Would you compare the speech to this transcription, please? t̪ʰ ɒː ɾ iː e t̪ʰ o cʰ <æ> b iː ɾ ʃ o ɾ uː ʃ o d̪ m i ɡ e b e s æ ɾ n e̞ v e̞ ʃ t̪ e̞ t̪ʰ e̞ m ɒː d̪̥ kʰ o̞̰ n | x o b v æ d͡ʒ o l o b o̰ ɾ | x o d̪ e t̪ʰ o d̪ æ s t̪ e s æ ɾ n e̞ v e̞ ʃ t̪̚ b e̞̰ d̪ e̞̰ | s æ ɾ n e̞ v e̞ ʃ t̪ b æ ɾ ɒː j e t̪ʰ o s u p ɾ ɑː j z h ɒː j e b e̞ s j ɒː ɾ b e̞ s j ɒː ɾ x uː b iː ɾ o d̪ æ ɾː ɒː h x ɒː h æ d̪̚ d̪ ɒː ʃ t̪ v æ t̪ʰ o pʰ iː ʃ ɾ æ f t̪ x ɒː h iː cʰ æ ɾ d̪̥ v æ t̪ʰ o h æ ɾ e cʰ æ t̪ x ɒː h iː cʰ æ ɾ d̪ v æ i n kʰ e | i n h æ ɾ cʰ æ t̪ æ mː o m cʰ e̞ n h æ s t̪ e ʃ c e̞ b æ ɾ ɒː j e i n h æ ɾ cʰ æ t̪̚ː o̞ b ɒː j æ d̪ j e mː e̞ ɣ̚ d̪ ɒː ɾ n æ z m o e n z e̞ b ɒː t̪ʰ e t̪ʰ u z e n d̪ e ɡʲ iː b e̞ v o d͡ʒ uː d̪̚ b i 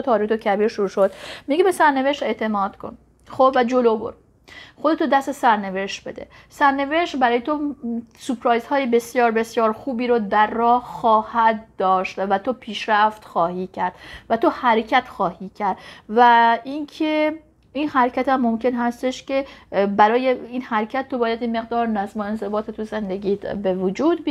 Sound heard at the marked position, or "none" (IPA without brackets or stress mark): æ